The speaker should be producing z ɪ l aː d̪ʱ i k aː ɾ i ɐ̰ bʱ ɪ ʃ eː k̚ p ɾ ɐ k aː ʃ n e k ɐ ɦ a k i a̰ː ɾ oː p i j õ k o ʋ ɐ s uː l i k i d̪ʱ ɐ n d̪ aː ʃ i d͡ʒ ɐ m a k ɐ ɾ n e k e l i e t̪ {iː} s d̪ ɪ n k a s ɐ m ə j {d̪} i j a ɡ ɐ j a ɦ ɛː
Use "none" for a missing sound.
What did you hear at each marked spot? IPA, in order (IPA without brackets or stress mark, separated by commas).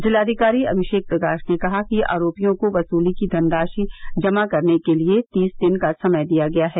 iː, d̪